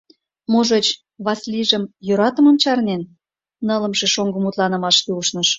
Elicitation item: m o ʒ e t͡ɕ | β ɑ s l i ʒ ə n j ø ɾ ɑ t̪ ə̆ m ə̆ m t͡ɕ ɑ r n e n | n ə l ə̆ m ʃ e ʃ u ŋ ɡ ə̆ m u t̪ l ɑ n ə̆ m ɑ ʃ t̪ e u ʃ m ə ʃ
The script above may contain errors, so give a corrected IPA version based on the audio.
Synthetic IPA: m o ʒ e t͡ɕ | β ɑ s l i ʒ ə m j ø ɾ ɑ t̪ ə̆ m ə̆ m t͡ɕ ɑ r n e n | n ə l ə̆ m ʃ e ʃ o ŋ ɡ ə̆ m u t̪ l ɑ n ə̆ m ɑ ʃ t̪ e u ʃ n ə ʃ